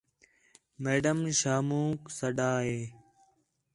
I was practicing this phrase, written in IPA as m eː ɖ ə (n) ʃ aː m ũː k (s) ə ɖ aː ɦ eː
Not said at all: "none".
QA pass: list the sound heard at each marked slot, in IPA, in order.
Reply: m, s

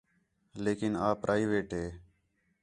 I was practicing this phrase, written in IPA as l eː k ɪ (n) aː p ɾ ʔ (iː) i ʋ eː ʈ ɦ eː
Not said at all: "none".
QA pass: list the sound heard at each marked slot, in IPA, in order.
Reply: n, aː

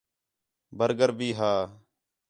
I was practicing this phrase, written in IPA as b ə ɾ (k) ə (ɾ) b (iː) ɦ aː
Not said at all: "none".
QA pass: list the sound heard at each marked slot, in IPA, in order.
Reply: ɡ, ɾ, iː

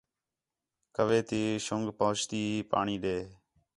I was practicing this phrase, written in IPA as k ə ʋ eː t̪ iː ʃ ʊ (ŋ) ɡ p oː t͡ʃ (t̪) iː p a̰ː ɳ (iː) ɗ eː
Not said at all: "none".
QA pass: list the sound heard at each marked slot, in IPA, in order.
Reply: ŋ, t̪, iː

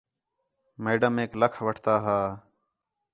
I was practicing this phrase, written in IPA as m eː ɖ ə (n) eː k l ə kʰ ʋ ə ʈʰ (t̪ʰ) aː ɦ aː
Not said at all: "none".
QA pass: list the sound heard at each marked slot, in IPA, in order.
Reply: m, t̪

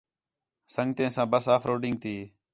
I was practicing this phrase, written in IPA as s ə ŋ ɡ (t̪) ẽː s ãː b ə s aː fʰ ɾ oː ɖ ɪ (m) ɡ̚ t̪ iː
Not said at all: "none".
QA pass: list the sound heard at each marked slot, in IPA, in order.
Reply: t̪, ŋ

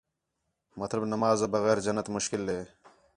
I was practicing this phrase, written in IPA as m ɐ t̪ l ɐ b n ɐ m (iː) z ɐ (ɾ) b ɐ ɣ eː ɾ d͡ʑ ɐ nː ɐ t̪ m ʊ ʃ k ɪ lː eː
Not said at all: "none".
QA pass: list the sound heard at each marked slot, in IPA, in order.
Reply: aː, none

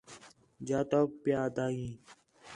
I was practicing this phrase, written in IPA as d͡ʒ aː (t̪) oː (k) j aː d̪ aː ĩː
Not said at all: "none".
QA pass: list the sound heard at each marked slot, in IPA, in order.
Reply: t̪, p

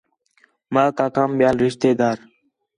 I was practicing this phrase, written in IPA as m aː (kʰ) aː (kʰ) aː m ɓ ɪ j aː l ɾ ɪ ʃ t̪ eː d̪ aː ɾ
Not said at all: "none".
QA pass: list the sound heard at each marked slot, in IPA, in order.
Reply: k, k

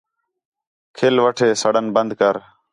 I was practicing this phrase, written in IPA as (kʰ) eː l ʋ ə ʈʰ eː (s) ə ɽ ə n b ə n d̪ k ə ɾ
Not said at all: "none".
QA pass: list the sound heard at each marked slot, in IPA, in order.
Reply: kʰ, s

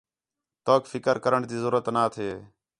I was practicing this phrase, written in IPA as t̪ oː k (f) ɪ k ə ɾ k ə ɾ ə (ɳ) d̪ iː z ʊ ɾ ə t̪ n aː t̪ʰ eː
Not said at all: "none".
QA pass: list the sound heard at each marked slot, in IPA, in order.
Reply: f, ɳ

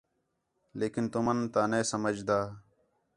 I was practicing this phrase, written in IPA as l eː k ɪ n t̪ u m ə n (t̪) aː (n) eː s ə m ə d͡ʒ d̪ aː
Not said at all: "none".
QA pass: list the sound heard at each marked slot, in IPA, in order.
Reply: t̪, n

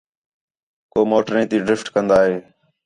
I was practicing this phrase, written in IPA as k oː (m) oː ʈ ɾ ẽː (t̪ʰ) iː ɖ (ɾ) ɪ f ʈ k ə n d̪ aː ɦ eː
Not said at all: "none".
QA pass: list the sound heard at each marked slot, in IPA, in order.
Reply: m, t̪, ɾ

